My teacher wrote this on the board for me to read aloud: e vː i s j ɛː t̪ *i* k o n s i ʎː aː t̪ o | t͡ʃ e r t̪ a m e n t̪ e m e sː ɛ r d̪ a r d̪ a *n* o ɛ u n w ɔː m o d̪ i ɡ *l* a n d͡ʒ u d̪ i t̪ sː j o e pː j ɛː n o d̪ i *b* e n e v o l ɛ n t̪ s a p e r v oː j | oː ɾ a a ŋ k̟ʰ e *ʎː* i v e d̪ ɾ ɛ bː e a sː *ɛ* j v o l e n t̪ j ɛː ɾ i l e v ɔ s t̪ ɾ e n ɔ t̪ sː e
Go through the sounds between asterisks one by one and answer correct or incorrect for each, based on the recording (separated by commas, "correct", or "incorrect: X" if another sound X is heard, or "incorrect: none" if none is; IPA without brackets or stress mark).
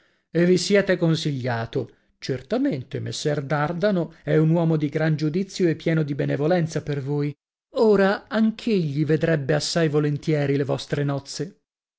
incorrect: e, correct, incorrect: ɾ, correct, correct, incorrect: a